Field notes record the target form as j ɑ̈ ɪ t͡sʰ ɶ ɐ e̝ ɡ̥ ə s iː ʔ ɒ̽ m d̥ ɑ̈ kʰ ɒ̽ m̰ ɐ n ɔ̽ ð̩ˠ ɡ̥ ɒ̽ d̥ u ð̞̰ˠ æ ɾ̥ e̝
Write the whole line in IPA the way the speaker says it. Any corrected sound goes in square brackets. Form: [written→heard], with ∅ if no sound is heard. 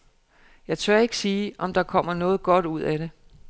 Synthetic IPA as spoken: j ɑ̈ ɪ t͡sʰ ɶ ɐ e̝ ɡ̥ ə s iː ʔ ɒ̽ m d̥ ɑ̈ kʰ ɒ̽ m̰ ɐ n [ɔ̽→ɔ̽ː] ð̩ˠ ɡ̥ ɒ̽ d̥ u ð̞̰ˠ æ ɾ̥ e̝